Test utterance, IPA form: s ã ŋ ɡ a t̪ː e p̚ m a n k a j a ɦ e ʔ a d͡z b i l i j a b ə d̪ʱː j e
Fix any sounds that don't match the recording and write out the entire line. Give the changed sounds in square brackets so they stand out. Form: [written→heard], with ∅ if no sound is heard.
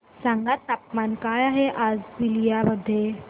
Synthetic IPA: s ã ŋ ɡ a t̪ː [e→a] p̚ m a n k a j a ɦ e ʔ a d͡z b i l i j a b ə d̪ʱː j e